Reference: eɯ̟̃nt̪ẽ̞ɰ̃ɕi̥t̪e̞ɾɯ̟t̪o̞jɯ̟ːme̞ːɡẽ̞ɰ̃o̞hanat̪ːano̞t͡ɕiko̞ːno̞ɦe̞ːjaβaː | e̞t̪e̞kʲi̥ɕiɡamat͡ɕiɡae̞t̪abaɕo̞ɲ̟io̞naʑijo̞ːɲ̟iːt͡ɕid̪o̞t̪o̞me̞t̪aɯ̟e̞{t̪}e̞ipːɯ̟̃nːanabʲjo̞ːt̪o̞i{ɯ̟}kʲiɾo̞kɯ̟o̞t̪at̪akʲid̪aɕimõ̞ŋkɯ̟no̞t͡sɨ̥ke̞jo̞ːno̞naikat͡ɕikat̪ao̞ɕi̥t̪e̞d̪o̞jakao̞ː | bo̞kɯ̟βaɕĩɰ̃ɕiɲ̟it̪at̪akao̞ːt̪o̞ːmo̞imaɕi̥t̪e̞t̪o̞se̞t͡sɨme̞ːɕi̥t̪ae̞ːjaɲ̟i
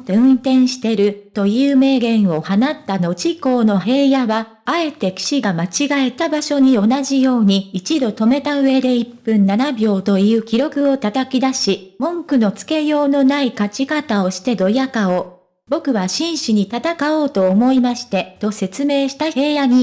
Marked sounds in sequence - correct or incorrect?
incorrect: d̪, incorrect: ɯ̟ː

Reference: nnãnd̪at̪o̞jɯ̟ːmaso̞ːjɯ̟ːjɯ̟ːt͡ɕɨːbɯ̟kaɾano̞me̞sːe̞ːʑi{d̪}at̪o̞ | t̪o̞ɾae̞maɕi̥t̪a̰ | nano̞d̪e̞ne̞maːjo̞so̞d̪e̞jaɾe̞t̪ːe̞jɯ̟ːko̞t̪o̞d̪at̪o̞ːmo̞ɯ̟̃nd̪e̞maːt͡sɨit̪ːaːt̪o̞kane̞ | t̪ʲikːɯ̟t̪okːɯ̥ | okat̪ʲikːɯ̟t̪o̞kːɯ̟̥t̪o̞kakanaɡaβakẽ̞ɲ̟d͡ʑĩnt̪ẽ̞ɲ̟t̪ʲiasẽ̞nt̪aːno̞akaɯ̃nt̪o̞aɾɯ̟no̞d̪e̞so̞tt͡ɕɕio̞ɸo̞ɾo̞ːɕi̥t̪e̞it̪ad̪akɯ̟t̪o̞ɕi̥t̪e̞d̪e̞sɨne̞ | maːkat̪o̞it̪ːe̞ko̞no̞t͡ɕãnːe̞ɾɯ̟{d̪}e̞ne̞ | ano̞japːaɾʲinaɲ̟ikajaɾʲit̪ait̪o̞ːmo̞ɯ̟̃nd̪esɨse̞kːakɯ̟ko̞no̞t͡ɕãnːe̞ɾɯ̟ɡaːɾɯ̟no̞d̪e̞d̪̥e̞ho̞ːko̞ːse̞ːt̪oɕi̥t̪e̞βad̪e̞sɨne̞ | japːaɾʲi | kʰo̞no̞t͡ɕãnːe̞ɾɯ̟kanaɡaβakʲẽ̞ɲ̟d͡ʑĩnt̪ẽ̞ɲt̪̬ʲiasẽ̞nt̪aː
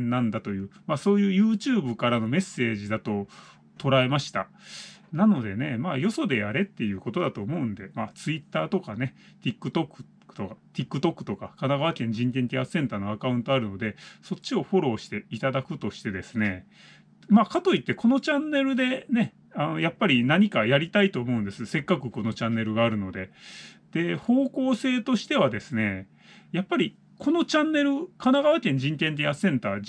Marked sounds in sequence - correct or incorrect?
correct, correct

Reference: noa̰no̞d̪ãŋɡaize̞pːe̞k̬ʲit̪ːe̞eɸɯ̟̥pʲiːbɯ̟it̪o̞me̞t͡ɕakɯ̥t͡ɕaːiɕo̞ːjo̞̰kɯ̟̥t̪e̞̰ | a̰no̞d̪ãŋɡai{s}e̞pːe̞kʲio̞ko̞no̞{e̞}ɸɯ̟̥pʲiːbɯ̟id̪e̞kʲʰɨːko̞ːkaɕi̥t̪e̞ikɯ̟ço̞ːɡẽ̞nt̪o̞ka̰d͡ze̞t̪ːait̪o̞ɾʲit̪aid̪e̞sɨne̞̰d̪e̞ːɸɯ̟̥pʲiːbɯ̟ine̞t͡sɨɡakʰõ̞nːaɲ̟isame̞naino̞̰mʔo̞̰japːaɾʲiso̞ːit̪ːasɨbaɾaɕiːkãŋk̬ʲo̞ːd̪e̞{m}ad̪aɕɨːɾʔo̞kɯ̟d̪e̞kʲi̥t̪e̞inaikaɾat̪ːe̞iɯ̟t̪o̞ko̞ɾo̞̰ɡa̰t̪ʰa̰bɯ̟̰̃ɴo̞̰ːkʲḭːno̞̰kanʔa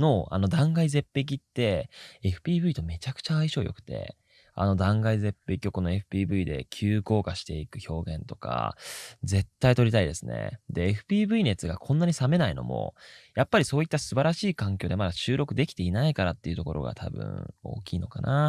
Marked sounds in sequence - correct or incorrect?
incorrect: z, correct, correct

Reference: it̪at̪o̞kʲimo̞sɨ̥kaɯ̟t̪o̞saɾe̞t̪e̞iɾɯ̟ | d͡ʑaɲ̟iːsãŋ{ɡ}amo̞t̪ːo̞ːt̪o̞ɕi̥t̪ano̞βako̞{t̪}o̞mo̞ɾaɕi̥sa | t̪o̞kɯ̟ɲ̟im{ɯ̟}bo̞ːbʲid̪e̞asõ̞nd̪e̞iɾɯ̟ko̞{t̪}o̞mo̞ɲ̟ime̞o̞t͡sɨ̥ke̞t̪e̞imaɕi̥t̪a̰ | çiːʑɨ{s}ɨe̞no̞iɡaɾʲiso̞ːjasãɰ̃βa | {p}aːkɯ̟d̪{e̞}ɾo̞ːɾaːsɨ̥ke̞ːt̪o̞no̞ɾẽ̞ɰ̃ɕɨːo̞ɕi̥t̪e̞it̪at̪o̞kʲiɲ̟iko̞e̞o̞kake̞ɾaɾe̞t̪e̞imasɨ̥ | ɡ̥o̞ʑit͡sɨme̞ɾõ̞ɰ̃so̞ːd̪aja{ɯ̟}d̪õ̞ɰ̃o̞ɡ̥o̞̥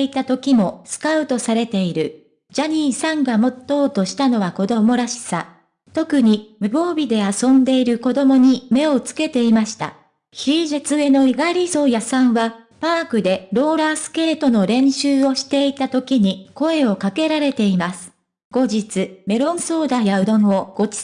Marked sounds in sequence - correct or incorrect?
correct, incorrect: d̪, correct, incorrect: d̪, incorrect: t͡s, correct, correct, correct

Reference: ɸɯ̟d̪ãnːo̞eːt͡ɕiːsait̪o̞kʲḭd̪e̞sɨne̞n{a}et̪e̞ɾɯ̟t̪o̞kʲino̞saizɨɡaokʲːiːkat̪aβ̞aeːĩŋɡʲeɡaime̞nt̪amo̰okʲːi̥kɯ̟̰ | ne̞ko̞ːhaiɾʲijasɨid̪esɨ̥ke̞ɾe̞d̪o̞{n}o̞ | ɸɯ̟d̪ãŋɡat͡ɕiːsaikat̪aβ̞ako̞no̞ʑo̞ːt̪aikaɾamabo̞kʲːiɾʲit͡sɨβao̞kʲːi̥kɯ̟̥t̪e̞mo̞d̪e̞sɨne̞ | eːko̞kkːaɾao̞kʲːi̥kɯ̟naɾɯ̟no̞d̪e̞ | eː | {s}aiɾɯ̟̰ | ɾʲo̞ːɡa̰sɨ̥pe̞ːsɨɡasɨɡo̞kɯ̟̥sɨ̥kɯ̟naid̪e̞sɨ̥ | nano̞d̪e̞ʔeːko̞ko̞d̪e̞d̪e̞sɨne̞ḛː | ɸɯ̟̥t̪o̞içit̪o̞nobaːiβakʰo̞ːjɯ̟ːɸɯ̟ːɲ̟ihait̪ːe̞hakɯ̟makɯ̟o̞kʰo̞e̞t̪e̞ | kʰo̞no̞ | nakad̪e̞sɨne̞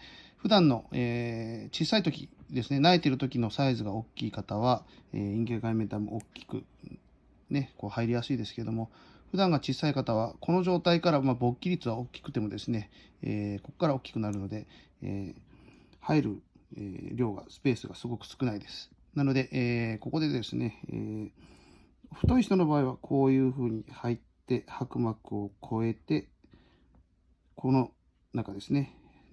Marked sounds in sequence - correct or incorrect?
correct, incorrect: m, incorrect: h

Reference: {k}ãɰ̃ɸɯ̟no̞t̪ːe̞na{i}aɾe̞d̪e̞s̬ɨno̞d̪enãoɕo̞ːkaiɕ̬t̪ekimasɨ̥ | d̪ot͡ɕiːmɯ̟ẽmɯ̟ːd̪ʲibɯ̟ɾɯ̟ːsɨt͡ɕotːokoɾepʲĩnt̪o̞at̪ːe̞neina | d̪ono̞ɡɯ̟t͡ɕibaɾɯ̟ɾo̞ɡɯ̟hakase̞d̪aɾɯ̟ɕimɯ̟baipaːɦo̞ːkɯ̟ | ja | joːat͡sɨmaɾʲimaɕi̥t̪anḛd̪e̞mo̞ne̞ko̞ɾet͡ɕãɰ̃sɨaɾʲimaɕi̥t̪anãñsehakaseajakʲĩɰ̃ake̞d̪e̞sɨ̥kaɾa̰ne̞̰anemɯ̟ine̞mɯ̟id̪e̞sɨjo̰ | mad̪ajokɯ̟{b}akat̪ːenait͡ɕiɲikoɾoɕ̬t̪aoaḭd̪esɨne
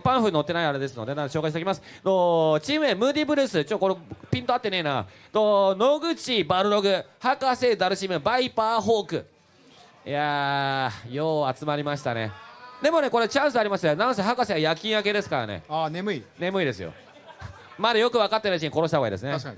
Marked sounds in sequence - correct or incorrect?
incorrect: p, correct, incorrect: β

